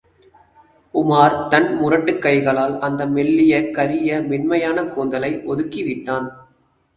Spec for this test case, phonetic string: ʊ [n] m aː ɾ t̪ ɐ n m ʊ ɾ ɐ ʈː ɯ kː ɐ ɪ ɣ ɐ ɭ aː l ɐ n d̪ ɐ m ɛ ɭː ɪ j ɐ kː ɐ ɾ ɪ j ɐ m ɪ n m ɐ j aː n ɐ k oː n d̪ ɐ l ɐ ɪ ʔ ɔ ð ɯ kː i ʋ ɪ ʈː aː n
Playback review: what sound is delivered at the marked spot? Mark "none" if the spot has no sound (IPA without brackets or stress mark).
none